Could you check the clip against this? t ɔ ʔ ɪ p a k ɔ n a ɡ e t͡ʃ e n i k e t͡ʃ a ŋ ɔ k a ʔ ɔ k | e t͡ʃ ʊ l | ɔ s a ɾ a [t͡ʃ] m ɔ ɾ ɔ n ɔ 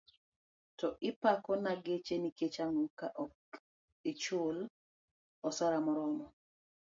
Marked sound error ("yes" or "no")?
yes